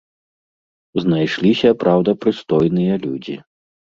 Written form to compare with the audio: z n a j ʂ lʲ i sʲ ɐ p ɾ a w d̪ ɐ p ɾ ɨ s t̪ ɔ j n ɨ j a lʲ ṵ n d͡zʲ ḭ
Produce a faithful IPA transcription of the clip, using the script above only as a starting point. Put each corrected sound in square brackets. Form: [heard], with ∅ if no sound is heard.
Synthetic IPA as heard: z n a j ʂ lʲ i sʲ ɐ p ɾ a w d̪ ɐ p ɾ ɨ s t̪ ɔ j n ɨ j [ɐ] lʲ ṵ [∅] d͡zʲ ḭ

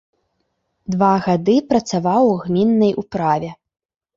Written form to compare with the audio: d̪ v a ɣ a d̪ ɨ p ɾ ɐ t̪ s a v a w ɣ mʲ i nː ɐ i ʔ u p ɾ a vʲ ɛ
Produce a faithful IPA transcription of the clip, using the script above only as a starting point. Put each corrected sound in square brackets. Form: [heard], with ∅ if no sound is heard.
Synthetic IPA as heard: d̪ v a ɣ a d̪ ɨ p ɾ ɐ t̪ s a v a w ɣ mʲ i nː ɐ [j] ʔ u p ɾ a vʲ ɛ

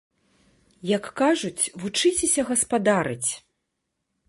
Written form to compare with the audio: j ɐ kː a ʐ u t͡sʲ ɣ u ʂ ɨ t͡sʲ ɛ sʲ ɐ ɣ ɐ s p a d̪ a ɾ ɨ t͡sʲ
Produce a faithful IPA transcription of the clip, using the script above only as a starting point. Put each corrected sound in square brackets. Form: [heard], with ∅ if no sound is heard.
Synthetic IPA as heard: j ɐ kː a ʐ u t͡sʲ [v] u [t͡ʂ] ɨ t͡sʲ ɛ sʲ ɐ ɣ ɐ s p a d̪ a ɾ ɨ t͡sʲ

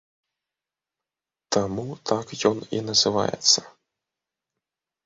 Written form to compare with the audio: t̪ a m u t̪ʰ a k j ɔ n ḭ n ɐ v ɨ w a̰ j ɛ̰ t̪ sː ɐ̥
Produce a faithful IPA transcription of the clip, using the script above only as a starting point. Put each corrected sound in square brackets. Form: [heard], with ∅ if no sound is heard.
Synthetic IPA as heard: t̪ a m u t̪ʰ a k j ɔ n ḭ n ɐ [z] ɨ [v] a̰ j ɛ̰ t̪ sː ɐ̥

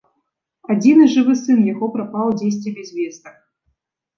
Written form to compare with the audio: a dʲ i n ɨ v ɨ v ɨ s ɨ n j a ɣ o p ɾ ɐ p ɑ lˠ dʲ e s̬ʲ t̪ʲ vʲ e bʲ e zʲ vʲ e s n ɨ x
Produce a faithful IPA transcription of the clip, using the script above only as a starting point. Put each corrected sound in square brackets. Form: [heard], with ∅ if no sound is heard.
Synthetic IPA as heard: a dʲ i n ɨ [ʐ] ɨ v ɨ s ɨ n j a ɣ o p ɾ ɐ p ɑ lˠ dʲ e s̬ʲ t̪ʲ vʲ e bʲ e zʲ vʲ e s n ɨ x

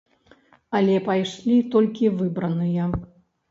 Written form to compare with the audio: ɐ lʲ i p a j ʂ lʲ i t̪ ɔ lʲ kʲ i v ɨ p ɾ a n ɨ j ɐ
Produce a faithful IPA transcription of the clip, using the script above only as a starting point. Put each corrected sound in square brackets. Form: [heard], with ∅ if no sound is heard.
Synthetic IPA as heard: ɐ lʲ [ɛ] p a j ʂ lʲ i t̪ ɔ lʲ kʲ i v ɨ [b] ɾ [ɐ] n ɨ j ɐ

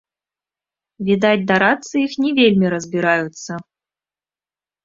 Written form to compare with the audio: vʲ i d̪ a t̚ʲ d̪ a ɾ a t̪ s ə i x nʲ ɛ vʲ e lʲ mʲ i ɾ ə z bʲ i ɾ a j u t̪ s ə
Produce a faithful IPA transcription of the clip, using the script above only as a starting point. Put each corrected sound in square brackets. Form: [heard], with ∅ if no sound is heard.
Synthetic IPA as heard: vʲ i d̪ a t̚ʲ d̪ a ɾ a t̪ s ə i x nʲ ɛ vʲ e lʲ mʲ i ɾ ə z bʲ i ɾ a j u t̪ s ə

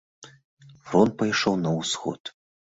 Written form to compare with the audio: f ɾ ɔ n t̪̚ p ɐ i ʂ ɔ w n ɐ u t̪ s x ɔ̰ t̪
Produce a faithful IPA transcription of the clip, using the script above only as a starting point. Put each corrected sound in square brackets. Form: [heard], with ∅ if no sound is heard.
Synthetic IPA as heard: f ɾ ɔ n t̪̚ p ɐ [j] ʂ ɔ w n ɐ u [∅] s x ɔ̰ t̪

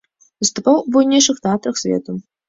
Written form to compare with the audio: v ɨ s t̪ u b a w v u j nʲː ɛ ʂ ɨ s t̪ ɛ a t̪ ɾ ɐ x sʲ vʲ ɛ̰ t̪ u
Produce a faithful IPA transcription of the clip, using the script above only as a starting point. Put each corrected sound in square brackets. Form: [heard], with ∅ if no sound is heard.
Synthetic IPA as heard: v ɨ s t̪ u [p] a w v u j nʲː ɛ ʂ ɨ [x] t̪ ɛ a t̪ ɾ ɐ x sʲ vʲ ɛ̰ t̪ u

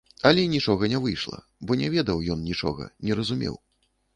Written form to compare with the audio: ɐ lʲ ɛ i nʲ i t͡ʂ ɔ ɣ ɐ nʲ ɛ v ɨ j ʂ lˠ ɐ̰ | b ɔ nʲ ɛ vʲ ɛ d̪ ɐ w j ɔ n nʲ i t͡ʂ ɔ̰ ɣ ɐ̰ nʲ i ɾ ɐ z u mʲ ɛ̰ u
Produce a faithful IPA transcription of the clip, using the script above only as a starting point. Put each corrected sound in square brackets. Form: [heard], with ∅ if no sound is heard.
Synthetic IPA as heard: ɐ lʲ ɛ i nʲ i t͡ʂ ɔ ɣ ɐ nʲ ɛ v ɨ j ʂ lˠ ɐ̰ | b ɔ nʲ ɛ vʲ ɛ d̪ ɐ w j ɔ n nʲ i t͡ʂ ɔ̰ ɣ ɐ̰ nʲ [ɛ] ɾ ɐ z u mʲ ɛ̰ [w]

